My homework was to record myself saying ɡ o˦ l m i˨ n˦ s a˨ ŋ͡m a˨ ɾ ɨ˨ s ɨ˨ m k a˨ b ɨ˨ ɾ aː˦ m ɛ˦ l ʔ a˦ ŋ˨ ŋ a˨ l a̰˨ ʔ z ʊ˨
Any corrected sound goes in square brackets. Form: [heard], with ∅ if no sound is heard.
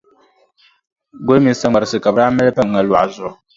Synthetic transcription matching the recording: ɡ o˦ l m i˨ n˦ s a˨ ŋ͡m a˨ ɾ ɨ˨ s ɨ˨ [∅] k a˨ b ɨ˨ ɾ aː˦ m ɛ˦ l [p] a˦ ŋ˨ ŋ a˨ l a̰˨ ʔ z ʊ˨